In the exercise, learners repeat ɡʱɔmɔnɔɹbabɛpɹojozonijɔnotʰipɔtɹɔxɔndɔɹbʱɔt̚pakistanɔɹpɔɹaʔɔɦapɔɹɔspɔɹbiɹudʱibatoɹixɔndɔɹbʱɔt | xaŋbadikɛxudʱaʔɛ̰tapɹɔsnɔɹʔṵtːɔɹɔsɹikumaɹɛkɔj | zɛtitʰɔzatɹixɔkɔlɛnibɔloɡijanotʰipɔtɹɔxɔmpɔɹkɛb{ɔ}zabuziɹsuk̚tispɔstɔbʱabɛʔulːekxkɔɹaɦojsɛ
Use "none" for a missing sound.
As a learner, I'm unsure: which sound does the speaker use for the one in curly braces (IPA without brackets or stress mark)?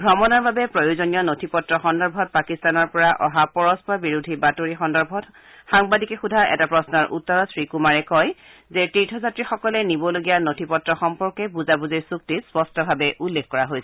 u